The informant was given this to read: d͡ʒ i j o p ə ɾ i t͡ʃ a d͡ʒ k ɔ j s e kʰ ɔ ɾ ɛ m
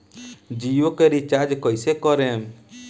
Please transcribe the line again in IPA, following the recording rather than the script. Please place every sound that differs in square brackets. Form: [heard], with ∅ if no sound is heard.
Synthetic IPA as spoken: d͡ʒ i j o [k] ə ɾ i t͡ʃ a d͡ʒ k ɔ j s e [k] ɔ ɾ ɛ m